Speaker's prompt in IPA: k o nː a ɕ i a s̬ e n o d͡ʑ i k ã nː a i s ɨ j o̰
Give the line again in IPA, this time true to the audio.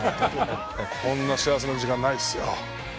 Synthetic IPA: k õ nː a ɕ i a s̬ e n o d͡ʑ i k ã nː a i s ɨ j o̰